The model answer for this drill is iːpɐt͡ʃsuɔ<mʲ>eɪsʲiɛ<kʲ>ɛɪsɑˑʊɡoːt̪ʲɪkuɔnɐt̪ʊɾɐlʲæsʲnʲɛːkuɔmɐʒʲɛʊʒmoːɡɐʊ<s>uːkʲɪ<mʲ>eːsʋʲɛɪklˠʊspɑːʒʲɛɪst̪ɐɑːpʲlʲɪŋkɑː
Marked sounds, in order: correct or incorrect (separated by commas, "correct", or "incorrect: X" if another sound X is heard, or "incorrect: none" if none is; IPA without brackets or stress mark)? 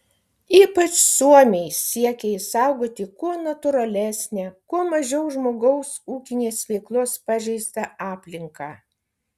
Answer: correct, correct, correct, incorrect: nʲ